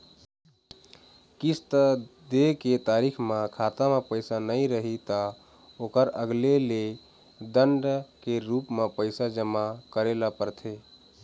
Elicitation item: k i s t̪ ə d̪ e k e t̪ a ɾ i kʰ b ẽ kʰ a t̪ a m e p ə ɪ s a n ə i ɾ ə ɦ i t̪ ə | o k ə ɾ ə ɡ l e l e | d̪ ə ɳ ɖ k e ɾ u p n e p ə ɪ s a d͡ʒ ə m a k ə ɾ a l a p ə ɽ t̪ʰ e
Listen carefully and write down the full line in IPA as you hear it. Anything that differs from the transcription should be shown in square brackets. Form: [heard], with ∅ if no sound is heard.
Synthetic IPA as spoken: k i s t̪ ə d̪ e k e t̪ a ɾ i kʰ [m] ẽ kʰ a t̪ a m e p ə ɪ s a n ə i ɾ ə ɦ i t̪ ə | o k ə ɾ ə ɡ l e l e | d̪ ə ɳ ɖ k e ɾ u p [m] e p ə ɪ s a d͡ʒ ə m a k ə ɾ [e] l a p ə [ɾ] t̪ʰ e